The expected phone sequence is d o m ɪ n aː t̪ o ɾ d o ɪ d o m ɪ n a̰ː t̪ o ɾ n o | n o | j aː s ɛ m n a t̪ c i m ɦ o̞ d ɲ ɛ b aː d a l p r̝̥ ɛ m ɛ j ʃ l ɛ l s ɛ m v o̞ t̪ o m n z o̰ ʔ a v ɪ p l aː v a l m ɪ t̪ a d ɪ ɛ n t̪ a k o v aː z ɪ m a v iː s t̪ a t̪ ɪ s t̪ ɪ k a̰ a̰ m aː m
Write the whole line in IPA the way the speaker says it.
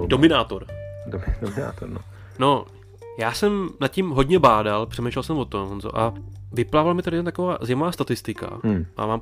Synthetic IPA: d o m ɪ n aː t̪ o ɾ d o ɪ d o m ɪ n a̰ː t̪ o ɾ n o | n o | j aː s ɛ m n a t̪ c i m ɦ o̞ d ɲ ɛ b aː d a l p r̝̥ ɛ m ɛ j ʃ l ɛ l s ɛ m v o̞ t̪ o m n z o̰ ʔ a v ɪ p l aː v a l m ɪ t̪ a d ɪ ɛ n t̪ a k o v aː z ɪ m a v aː s t̪ a t̪ ɪ s t̪ ɪ k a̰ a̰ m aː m